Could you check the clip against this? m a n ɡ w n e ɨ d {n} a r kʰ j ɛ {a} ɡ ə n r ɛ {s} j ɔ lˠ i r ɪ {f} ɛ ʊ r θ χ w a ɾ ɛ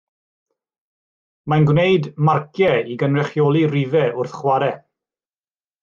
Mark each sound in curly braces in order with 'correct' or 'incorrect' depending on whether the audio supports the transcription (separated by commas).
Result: incorrect, incorrect, incorrect, incorrect